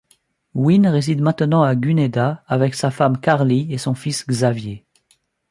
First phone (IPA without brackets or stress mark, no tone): w